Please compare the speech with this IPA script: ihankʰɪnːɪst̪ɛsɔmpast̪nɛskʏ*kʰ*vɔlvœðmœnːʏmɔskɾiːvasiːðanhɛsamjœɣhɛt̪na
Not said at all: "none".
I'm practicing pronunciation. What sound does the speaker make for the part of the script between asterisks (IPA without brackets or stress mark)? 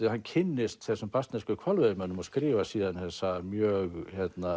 kʰ